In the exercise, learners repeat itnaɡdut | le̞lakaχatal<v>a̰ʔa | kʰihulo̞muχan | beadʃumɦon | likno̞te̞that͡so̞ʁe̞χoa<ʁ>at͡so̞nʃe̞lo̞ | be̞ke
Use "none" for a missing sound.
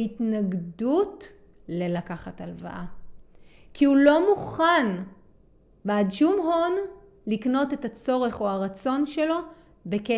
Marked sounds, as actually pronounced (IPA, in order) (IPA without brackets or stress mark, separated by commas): v, ʁ